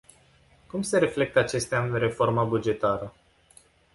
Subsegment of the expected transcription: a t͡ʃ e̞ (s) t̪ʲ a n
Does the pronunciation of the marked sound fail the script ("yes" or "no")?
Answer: no